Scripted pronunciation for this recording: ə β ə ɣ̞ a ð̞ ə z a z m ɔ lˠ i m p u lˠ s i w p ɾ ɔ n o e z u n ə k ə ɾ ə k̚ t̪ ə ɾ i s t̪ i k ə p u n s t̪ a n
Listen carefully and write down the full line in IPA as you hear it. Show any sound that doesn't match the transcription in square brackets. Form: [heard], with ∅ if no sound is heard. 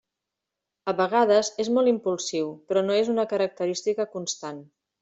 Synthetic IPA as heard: ə β ə ɣ̞ a ð̞ ə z [e] z m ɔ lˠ i m p u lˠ s i w p ɾ ɔ n o e z u n ə k ə ɾ ə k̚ t̪ ə ɾ i s t̪ i k ə [k] u n s t̪ a n